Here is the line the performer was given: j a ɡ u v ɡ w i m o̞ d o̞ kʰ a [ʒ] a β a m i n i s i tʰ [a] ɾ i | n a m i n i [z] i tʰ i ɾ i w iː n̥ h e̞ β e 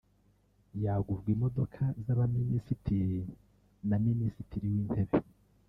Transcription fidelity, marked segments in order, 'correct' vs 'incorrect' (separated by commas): incorrect, incorrect, incorrect